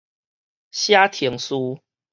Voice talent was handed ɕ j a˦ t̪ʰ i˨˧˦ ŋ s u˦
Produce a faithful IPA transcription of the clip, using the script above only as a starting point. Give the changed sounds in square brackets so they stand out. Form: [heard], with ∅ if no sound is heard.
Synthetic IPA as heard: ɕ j a˦ t̪ʰ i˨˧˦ ŋ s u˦